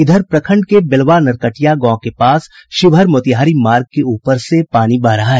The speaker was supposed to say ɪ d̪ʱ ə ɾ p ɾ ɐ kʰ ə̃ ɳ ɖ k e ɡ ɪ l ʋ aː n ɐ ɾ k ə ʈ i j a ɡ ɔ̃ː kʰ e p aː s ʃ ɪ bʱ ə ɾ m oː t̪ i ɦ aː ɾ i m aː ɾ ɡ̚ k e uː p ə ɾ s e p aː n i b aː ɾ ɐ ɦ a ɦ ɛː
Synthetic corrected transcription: ɪ d̪ʱ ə ɾ p ɾ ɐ kʰ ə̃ ɳ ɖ k e b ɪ l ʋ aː n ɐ ɾ k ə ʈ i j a ɡ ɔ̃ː k e p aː s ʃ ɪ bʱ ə ɾ m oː t̪ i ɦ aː ɾ i m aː ɾ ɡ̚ k e uː p ə ɾ s e p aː n i b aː ɾ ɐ ɦ a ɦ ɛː